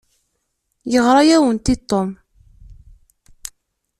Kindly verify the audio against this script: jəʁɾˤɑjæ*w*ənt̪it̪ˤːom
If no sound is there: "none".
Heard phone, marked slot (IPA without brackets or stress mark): w